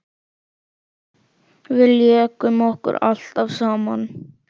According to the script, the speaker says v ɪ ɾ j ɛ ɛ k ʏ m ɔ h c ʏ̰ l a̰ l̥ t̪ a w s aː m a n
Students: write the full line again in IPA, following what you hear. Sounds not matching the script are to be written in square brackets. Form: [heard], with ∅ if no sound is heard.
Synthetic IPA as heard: v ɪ [l] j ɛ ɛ k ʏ m ɔ h [k] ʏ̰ [ɾ] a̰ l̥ t̪ a [v] s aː m a n